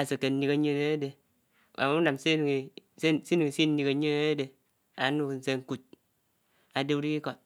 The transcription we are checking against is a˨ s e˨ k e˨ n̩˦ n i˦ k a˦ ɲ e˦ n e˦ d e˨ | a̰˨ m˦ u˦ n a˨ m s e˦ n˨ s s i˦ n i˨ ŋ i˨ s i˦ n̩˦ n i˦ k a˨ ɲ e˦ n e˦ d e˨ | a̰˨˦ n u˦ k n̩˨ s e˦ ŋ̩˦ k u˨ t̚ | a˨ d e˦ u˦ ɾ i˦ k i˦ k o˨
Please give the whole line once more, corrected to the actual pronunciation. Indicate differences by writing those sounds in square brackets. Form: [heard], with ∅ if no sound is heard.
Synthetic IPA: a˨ s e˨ k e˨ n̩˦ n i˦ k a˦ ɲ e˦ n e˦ d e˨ | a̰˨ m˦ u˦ n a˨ m s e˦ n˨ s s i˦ n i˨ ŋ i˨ s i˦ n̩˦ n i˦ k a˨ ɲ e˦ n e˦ d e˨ | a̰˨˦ n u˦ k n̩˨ s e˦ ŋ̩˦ k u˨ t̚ | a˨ d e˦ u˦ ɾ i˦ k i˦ k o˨